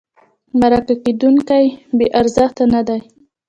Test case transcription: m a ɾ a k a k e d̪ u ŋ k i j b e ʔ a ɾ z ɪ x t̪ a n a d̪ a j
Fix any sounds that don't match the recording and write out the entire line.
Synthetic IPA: m a ɾ a k a k e d̪ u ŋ k a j b e ʔ a ɾ z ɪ x t̪ a n a d̪ a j